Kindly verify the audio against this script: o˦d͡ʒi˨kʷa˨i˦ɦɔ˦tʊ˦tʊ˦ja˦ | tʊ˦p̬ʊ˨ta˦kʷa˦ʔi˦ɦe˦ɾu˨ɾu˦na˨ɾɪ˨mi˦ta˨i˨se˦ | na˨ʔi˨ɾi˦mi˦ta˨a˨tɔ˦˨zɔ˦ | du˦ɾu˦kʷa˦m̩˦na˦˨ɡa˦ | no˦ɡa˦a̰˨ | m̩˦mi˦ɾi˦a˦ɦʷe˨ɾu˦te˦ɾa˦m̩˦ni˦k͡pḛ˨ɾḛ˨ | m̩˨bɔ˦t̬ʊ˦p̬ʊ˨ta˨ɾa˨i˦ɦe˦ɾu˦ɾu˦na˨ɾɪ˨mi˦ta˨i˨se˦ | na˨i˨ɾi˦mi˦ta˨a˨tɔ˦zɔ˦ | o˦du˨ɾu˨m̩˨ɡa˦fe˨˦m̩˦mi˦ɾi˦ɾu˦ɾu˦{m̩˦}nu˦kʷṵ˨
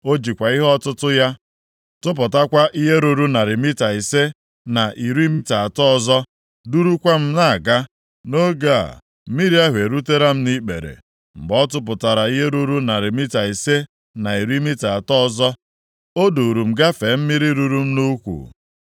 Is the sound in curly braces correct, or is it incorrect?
correct